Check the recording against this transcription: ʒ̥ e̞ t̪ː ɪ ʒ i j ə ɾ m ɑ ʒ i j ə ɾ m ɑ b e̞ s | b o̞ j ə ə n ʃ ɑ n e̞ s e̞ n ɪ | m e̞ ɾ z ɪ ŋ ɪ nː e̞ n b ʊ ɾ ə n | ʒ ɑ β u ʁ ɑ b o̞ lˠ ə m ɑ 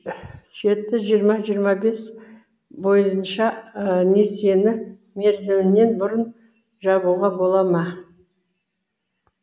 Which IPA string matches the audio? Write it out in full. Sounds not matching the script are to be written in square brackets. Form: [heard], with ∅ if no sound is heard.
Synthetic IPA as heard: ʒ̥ e̞ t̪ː ɪ ʒ i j ə ɾ m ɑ ʒ i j ə ɾ m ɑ b e̞ s | b o̞ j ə ə n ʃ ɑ n e̞ s e̞ n ɪ | m e̞ ɾ z ɪ [m] ɪ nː e̞ n b ʊ ɾ ə n | ʒ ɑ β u ʁ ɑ b o̞ lˠ [ɑ] m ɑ